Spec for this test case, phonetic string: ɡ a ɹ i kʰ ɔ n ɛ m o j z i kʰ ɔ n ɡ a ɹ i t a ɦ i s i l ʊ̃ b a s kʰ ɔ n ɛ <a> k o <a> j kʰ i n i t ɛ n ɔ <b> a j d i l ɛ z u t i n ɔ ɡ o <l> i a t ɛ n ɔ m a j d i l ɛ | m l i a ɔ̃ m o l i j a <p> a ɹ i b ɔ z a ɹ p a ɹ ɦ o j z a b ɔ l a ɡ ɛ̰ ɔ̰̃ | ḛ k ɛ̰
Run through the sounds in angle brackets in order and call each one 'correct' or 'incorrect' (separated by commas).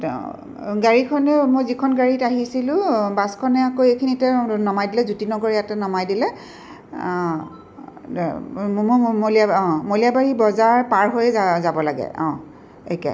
correct, incorrect, incorrect, incorrect, incorrect